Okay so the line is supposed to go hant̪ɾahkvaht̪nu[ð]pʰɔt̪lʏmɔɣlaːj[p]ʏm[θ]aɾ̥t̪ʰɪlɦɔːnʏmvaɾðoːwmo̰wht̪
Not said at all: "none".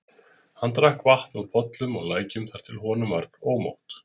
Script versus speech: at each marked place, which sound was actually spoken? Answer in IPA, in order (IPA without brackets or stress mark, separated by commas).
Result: ð, c, θ